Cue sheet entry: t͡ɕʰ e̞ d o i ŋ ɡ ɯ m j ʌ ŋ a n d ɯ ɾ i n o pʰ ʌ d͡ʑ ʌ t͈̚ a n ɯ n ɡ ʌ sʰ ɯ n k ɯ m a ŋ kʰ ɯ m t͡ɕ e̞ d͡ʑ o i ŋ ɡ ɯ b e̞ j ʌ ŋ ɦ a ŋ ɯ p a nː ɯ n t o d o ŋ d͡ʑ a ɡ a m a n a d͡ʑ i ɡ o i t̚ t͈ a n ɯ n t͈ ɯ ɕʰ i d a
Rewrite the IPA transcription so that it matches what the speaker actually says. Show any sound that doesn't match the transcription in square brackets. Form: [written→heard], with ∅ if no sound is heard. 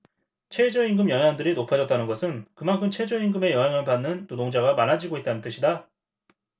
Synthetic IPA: t͡ɕʰ e̞ [d→d͡ʑ] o i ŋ ɡ ɯ m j ʌ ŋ a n d ɯ ɾ i n o pʰ [ʌ→a] d͡ʑ ʌ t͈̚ a n ɯ n ɡ ʌ sʰ ɯ n k ɯ m a ŋ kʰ ɯ m [t͡ɕ→t͡ɕʰ] e̞ d͡ʑ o i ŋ ɡ ɯ [b→m] e̞ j ʌ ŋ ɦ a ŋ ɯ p a nː ɯ n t o d o ŋ d͡ʑ a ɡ a m a n a d͡ʑ i ɡ o i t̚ t͈ a n ɯ n t͈ ɯ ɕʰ i d a